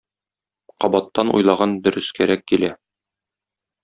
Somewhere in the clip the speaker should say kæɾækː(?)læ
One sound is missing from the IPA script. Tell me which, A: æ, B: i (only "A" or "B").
B